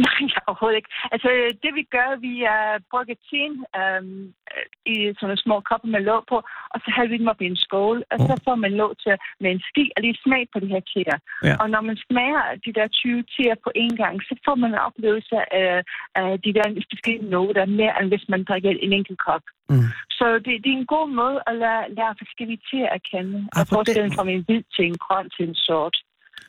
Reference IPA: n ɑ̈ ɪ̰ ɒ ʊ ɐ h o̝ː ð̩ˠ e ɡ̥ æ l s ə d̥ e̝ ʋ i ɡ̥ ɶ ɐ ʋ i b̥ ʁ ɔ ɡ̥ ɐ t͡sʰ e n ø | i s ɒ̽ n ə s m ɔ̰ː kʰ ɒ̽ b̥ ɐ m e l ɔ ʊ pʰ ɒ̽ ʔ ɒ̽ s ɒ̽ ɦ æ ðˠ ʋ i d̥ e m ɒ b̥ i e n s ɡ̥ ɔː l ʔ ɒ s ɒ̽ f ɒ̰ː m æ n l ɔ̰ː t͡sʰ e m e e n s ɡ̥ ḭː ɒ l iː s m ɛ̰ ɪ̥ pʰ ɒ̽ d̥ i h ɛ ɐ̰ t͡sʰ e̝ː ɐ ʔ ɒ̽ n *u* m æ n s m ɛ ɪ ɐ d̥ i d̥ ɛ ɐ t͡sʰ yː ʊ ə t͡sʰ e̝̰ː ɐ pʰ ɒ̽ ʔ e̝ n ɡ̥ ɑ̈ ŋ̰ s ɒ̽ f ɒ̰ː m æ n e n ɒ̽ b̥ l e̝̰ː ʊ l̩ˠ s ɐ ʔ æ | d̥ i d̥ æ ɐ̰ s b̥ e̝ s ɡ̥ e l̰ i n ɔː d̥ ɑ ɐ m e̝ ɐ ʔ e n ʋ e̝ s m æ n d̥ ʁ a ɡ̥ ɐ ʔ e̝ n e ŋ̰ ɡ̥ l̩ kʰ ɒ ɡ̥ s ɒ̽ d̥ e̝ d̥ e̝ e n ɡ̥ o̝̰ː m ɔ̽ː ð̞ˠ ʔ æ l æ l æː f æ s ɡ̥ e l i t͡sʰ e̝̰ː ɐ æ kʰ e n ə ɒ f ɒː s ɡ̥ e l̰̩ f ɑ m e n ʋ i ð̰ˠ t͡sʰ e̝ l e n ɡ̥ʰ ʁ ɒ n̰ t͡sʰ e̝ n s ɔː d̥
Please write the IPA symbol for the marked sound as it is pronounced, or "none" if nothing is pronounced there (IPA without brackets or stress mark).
ɒ